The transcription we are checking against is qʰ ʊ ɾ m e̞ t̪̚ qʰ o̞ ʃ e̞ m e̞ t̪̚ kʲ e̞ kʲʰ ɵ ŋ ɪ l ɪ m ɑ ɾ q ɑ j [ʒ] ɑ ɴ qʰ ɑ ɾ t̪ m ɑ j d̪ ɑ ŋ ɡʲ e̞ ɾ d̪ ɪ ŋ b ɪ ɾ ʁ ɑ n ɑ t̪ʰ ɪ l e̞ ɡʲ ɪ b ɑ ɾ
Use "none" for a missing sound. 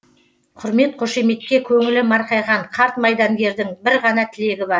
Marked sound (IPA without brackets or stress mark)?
ʁ